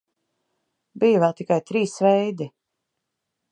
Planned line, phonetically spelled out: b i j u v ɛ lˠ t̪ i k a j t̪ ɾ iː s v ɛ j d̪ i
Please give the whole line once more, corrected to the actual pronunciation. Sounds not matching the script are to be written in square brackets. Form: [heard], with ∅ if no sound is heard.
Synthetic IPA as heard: b i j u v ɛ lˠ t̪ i k a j t̪ ɾ iː s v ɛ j d̪ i